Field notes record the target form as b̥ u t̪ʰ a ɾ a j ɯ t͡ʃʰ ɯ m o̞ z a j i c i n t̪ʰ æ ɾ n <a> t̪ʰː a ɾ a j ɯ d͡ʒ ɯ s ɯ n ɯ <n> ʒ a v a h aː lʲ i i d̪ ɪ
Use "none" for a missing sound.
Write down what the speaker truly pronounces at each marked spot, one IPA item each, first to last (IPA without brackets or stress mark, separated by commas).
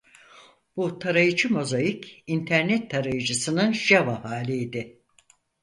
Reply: ɛ, n